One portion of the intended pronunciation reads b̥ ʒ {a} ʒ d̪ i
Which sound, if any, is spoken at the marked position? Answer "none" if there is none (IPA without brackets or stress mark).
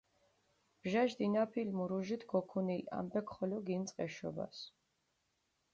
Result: a